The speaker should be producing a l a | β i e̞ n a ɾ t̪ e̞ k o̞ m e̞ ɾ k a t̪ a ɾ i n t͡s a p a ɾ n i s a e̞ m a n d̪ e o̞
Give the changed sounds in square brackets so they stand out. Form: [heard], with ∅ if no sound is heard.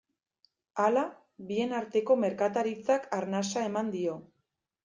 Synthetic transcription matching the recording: a l a | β i e̞ n a ɾ t̪ e̞ k o̞ m e̞ ɾ k a t̪ a ɾ i [∅] t͡s a [k] a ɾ n [a] s a e̞ m a n d̪ [i] o̞